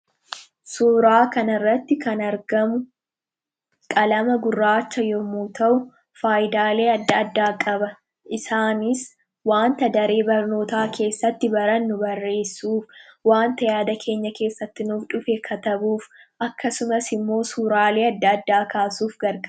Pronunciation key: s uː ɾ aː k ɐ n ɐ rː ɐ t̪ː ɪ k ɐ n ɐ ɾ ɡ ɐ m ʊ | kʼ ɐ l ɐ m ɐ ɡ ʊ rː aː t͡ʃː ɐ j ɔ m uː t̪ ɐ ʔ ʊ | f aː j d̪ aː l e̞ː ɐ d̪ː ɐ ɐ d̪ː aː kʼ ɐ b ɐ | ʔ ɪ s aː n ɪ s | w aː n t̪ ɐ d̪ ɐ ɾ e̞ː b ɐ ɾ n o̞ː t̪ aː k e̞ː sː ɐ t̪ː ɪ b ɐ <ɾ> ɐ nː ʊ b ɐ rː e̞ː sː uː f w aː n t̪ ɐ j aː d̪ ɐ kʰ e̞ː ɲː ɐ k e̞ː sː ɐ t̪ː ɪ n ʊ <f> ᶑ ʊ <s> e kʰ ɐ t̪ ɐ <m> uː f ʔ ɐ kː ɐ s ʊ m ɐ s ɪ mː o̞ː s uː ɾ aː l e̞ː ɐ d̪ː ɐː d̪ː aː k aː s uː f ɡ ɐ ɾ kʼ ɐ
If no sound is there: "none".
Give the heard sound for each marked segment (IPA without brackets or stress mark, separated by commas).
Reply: ɾ, f, f, b